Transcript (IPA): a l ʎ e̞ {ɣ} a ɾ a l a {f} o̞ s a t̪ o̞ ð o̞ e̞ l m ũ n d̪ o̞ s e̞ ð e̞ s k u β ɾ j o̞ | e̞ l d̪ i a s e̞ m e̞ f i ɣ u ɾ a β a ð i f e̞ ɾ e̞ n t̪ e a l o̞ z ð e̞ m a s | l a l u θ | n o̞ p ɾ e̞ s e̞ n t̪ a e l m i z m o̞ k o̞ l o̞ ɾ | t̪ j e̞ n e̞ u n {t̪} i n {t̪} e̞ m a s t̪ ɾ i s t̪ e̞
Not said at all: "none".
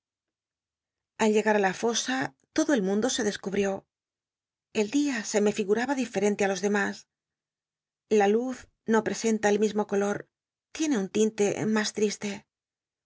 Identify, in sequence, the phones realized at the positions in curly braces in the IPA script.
ɣ, f, t̪, t̪

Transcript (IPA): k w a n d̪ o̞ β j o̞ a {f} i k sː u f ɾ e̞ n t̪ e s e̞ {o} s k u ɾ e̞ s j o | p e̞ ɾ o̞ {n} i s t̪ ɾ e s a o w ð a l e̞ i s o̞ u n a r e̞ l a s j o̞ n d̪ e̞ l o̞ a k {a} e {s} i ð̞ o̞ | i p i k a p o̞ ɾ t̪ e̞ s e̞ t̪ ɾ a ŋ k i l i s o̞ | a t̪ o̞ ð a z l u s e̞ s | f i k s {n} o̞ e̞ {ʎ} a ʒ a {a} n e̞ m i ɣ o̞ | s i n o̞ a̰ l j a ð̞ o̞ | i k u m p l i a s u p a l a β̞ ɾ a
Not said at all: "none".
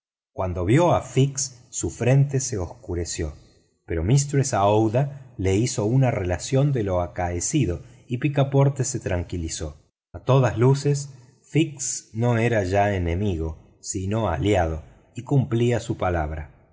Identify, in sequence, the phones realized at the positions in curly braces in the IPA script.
f, o, m, a, s, n, ɾ, e

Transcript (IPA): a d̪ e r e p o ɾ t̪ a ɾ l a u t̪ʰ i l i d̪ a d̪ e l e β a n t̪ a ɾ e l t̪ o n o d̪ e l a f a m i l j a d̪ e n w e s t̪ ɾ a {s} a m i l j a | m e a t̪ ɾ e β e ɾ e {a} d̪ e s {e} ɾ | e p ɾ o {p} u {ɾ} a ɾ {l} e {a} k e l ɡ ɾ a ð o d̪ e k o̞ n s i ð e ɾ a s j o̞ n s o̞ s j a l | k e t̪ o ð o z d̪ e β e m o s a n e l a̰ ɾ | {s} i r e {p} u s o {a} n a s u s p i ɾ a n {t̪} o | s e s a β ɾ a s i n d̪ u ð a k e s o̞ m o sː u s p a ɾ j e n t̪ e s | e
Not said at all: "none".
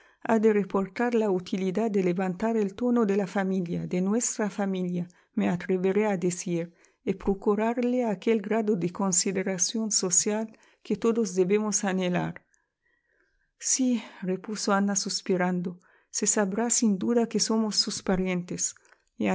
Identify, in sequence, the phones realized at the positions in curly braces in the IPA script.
f, a, i, k, ɾ, l, a, s, p, a, d̪

